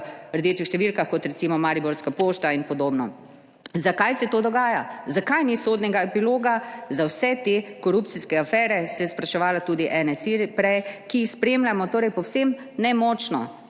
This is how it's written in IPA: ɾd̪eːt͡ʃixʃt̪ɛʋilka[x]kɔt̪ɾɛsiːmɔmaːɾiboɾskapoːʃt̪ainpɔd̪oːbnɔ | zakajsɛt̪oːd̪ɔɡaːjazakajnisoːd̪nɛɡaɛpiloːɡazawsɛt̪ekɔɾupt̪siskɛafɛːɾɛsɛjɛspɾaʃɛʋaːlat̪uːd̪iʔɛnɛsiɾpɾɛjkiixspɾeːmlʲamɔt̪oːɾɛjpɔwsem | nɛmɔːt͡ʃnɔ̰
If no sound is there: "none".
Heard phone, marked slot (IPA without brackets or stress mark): x